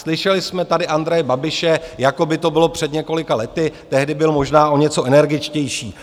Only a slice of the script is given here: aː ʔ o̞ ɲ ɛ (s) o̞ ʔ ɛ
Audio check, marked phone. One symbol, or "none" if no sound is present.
t͡s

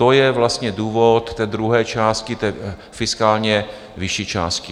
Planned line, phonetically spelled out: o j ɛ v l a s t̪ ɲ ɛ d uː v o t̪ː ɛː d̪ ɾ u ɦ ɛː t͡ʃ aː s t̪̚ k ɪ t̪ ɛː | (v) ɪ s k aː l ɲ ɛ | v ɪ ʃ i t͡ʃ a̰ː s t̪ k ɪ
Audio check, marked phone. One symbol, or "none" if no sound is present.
f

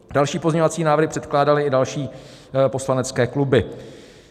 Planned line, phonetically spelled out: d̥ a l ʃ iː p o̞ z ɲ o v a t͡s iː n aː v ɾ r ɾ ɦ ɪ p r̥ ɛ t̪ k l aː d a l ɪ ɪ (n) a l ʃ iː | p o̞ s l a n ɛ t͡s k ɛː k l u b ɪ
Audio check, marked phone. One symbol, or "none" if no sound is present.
d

